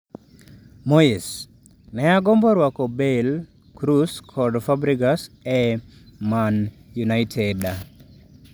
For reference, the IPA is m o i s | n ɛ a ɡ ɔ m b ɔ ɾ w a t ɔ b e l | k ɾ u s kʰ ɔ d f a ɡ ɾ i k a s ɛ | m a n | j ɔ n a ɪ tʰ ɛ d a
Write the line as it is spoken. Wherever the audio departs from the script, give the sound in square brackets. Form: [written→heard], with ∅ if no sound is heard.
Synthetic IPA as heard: m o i s | n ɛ a ɡ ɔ m b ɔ ɾ w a [t→k] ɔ b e l | k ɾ u s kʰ ɔ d f a [ɡ→b] ɾ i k a s ɛ | m a n | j [ɔ→u] n a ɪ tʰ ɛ d a